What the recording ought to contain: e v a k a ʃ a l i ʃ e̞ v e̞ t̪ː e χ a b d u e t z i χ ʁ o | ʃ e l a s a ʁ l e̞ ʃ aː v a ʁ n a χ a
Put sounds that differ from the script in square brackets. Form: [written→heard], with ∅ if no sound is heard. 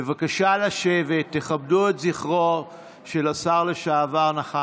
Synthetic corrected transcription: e v a k a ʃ a l [i→a] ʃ e̞ v e̞ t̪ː e χ a b d u e t z i χ ʁ o | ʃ e l a s a ʁ l e̞ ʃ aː v a ʁ n a χ a